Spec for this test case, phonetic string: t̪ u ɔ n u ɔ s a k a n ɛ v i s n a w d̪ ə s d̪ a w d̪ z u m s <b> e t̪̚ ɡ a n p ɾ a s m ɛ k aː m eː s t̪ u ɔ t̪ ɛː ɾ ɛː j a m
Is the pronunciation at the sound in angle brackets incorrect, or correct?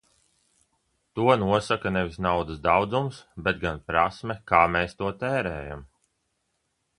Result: correct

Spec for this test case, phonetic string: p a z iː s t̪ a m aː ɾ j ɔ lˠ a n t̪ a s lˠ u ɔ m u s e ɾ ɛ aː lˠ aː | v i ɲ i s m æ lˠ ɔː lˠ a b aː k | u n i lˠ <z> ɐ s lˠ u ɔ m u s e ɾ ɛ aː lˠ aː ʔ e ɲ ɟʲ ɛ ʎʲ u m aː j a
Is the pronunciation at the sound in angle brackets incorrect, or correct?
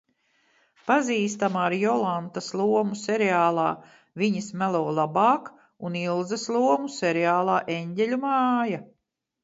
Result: correct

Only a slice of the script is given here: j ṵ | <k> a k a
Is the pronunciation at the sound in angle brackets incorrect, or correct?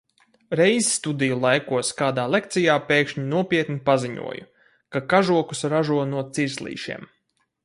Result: correct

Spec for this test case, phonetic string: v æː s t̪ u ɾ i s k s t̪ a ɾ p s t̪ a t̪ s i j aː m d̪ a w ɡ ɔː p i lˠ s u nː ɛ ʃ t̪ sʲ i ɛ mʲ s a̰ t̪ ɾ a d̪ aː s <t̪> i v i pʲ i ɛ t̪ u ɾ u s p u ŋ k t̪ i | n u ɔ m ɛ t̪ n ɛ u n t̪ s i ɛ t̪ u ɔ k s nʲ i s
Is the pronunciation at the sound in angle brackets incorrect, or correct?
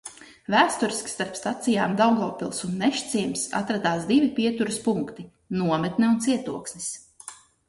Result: incorrect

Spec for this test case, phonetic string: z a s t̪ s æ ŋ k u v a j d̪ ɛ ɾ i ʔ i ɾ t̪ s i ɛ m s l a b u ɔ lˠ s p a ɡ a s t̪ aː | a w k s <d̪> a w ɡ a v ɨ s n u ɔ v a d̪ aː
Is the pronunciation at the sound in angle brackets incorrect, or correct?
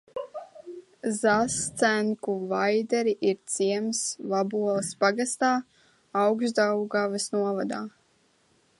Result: correct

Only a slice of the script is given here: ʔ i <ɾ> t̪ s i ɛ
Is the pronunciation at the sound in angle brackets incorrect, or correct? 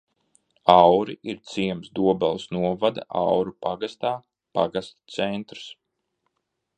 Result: correct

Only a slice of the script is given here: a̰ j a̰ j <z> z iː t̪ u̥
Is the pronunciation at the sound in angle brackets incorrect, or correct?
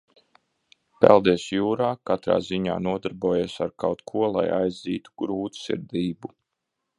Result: correct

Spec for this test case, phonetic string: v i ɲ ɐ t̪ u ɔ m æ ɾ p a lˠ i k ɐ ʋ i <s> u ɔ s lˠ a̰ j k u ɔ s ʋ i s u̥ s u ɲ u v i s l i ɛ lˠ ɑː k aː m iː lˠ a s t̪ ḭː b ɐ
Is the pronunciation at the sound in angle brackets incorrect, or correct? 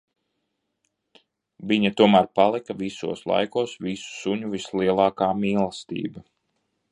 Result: correct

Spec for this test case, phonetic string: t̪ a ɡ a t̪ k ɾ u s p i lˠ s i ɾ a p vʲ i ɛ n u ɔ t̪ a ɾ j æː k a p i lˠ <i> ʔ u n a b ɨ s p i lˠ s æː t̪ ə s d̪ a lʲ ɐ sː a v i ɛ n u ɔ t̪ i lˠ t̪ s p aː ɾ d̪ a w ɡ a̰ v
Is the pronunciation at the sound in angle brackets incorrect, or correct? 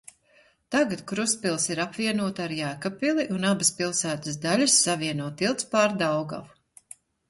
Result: correct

